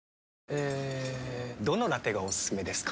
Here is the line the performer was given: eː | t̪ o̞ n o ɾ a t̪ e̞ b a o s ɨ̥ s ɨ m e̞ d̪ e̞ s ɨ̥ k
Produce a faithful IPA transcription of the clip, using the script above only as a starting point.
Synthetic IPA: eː | d̪ o̞ n o ɾ a t̪ e̞ ɡ a o s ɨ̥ s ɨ m e̞ d̪ e̞ s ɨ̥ k